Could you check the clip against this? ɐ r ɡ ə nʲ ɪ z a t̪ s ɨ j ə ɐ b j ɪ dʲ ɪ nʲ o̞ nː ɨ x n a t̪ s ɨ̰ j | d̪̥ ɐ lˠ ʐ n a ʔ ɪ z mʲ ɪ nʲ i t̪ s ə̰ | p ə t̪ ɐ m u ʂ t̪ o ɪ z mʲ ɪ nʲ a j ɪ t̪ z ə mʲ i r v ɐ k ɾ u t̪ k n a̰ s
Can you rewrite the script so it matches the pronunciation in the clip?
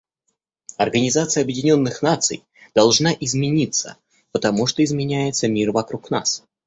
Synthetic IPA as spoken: ɐ r ɡ ə nʲ ɪ z a t̪ s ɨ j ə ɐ b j ɪ dʲ ɪ nʲ o̞ nː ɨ x n a t̪ s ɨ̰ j | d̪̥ ɐ lˠ ʐ n a ʔ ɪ z mʲ ɪ nʲ i t̪ s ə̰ | p ə t̪ ɐ m u ʂ t̪ o ɪ z mʲ ɪ nʲ æ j ɪ t̪ s ə mʲ i r v ɐ k ɾ u k n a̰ s